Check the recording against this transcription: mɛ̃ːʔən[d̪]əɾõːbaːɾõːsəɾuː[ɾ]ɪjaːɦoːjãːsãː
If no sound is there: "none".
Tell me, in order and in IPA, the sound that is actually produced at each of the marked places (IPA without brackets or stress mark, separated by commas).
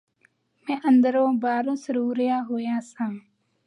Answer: d̪, ɾ